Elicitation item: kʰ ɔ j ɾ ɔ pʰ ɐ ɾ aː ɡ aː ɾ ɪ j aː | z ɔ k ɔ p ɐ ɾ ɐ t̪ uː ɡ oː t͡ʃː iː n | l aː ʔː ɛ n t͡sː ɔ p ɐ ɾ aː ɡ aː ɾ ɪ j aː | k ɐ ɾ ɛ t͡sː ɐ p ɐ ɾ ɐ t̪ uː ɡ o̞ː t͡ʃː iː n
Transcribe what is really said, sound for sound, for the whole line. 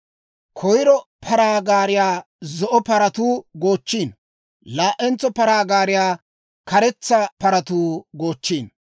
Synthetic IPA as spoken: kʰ ɔ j ɾ ɔ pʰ ɐ ɾ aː ɡ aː ɾ ɪ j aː | z ɔ ʔ ɔ p ɐ ɾ ɐ t̪ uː ɡ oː t͡ʃː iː n | l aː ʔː ɛ n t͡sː ɔ p ɐ ɾ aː ɡ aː ɾ ɪ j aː | k ɐ ɾ ɛ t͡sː ɐ p ɐ ɾ ɐ t̪ uː ɡ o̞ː t͡ʃː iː n